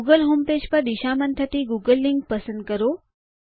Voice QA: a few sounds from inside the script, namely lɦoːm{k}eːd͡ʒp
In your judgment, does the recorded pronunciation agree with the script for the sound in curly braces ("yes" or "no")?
no